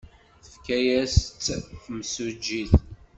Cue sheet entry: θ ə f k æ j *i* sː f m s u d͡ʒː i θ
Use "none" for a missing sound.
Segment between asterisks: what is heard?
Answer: æ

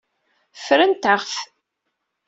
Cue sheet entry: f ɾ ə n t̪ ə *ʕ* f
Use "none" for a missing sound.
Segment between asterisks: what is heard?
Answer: ʁ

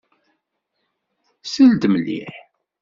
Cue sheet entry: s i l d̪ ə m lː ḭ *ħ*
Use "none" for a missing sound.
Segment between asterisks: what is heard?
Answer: ħ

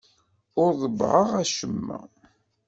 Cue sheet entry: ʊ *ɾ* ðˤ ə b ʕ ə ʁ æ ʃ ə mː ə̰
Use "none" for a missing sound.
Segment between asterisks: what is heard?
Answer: ɾ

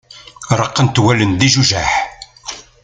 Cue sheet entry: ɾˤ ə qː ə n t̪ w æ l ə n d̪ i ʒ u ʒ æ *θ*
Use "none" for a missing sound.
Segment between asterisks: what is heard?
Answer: ħ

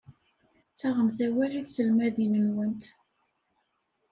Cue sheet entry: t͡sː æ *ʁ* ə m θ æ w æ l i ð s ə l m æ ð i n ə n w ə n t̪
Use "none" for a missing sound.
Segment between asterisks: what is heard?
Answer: ʁ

